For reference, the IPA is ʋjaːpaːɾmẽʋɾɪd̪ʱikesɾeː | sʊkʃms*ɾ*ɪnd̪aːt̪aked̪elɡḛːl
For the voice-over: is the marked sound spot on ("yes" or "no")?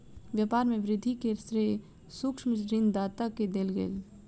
yes